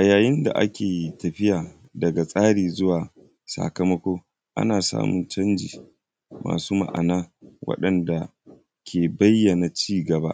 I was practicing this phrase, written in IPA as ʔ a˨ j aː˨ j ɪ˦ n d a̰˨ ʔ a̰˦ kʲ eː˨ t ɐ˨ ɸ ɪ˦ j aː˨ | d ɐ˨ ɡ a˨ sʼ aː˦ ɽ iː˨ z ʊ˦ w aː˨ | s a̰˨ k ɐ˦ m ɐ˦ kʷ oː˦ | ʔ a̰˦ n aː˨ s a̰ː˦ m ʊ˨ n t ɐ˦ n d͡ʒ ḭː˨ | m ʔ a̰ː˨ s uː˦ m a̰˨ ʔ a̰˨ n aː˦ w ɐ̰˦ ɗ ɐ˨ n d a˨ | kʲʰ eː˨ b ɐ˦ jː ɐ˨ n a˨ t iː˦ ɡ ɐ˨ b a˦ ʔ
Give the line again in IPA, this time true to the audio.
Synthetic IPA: ʔ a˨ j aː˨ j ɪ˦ n d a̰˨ ʔ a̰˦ kʲ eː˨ t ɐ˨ ɸ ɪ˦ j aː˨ | d ɐ˨ ɡ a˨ sʼ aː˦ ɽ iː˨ z ʊ˦ w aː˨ | s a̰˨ k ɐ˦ m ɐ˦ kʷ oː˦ | ʔ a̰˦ n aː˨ s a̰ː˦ m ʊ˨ n t͡ʃ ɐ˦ n d͡ʒ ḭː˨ | m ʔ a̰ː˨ s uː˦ m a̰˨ ʔ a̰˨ n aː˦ w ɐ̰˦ ɗ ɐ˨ n d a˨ | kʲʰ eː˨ b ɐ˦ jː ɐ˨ n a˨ t͡ʃ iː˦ ɡ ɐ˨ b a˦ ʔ